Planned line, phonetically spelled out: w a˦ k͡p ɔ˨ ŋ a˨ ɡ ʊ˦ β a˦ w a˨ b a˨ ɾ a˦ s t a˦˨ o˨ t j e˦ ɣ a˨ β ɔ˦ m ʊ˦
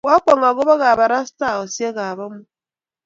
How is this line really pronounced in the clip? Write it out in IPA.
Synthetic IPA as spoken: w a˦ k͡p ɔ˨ ŋ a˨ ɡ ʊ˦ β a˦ ɣ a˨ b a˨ ɾ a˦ s t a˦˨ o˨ s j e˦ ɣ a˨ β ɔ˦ m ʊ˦